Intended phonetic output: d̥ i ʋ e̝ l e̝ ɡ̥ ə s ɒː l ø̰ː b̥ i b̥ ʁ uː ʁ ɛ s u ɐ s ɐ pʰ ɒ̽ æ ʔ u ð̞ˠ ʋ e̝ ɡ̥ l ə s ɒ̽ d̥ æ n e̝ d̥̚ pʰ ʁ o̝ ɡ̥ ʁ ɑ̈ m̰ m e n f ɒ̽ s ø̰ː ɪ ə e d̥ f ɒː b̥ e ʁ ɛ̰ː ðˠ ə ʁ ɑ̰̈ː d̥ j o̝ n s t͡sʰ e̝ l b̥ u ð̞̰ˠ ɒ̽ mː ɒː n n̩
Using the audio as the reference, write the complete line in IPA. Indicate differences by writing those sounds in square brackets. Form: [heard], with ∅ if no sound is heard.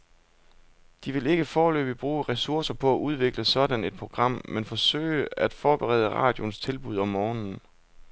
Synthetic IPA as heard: d̥ i ʋ e̝ l e̝ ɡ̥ ə [f] ɒː l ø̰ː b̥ i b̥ ʁ uː ʁ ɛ s u ɐ s ɐ pʰ ɒ̽ æ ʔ u ð̞ˠ ʋ e̝ ɡ̥ l ə s ɒ̽ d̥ æ n e̝ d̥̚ pʰ ʁ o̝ ɡ̥ ʁ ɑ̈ m̰ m e n f ɒ̽ s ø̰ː ɪ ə [æ] d̥ f ɒː b̥ e ʁ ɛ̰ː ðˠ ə ʁ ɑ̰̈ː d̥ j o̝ n s t͡sʰ e̝ l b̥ u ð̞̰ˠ ɒ̽ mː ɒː n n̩